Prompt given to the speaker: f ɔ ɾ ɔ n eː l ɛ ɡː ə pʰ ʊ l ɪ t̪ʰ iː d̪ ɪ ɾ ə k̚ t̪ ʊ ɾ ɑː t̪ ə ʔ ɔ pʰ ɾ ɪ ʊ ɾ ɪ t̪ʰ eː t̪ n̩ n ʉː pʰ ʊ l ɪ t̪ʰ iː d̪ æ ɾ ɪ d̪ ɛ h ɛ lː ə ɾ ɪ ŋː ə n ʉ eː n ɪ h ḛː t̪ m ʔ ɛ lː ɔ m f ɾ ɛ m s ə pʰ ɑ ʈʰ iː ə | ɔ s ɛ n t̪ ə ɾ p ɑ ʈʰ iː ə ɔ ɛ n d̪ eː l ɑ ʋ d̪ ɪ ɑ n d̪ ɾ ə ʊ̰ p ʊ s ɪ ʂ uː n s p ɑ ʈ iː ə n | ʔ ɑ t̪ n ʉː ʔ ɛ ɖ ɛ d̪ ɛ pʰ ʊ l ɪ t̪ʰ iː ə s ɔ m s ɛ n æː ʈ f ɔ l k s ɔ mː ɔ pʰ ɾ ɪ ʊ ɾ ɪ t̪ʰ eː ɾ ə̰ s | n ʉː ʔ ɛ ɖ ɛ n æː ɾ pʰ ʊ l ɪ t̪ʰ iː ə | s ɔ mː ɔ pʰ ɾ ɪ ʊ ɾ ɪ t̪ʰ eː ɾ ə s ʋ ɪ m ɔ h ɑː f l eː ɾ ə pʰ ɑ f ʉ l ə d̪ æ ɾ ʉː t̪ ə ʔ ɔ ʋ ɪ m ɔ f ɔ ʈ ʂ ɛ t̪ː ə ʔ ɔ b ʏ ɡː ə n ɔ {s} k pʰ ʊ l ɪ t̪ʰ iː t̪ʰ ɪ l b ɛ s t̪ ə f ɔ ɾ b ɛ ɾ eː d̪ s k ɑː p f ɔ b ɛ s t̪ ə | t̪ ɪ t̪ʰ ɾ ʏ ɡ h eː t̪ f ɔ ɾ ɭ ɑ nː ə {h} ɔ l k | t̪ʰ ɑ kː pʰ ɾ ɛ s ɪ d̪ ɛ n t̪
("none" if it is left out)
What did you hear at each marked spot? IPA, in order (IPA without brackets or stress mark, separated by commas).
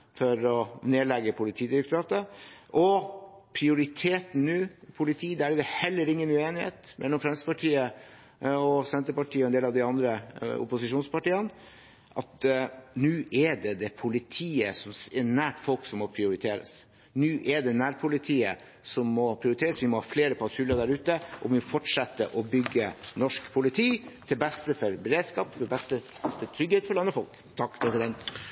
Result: ʂ, f